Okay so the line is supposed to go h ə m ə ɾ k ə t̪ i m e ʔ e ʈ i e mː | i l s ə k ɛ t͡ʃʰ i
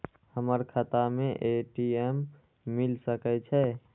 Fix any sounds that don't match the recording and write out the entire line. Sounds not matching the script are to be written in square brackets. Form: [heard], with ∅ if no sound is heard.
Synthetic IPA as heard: h ə m ə ɾ [kʰ] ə t̪ [a] m e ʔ e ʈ i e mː | i l s ə k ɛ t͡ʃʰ [ɛ]